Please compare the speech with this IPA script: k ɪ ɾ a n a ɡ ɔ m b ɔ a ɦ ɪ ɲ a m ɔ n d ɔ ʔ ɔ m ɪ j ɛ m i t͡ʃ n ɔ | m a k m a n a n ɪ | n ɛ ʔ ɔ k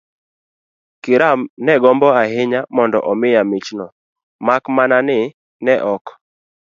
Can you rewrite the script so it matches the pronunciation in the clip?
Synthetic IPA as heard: k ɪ ɾ a n ɛ ɡ ɔ m b ɔ a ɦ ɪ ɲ a m ɔ n d ɔ ʔ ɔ m ɪ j a m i t͡ʃ n ɔ | m a k m a n a n ɪ | n ɛ ʔ ɔ k